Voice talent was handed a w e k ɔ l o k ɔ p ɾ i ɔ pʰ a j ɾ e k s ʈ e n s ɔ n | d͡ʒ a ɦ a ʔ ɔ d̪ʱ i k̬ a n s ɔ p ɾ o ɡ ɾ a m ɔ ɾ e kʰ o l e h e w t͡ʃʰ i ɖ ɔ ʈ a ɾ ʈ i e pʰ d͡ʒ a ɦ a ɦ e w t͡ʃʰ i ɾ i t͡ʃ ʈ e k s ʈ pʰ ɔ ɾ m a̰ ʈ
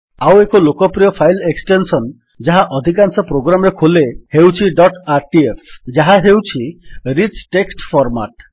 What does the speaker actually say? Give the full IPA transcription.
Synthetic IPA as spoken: a w e k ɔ l o k ɔ p ɾ i ɔ pʰ a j l e k s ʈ e n s ɔ n | d͡ʒ a ɦ a ʔ ɔ d̪ʱ i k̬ a n s ɔ p ɾ o ɡ ɾ a m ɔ ɾ e kʰ o l e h e w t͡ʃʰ i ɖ ɔ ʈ a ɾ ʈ i e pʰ d͡ʒ a ɦ a ɦ e w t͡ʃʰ i ɾ i t͡ʃ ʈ e k s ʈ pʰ ɔ ɾ m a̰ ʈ